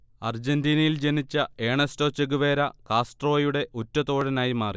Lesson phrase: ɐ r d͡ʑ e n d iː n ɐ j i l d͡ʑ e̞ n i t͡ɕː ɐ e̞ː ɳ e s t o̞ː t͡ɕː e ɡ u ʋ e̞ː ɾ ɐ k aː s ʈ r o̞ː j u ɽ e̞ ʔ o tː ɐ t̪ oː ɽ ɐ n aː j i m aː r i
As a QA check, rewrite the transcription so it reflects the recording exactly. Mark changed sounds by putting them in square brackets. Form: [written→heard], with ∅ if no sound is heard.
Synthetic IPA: ɐ r d͡ʑ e n d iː n ɐ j i l d͡ʑ e̞ n i t͡ɕː ɐ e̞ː ɳ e s t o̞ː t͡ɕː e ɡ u ʋ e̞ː ɾ ɐ k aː s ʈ r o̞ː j u ɽ e̞ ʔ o tː ɐ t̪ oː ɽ ɐ n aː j i m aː r i